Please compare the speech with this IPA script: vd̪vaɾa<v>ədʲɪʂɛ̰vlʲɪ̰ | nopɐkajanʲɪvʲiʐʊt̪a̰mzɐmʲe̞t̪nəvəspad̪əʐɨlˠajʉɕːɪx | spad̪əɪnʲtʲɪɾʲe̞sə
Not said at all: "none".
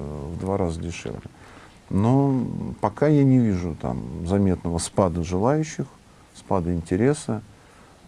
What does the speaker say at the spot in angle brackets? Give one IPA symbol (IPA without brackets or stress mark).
z